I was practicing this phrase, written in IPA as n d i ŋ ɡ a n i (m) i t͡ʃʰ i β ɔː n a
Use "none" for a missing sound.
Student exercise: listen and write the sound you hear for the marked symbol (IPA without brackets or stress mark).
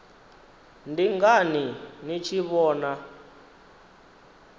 n